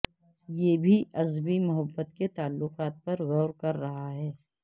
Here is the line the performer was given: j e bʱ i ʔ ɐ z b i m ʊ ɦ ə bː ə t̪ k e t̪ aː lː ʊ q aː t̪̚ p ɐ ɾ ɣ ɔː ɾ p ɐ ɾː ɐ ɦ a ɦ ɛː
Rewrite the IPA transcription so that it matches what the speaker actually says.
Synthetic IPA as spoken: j e bʱ i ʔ ɐ z b i m ʊ ɦ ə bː ə t̪ k e t̪ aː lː ʊ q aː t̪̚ p ɐ ɾ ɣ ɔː ɾ k ɐ ɾː ɐ ɦ a ɦ ɛː

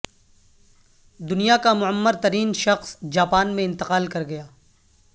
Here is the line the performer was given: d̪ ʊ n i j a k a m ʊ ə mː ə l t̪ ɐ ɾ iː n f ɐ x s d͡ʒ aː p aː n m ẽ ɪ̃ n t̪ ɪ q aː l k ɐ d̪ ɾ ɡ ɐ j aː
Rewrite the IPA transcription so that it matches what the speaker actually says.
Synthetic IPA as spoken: d̪ ʊ n i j a k a m ʊ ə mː ə ɾ t̪ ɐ ɾ iː n ʃ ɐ x s d͡ʒ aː p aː n m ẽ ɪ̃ n t̪ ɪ q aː l k ɐ ɾ ɡ ɐ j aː

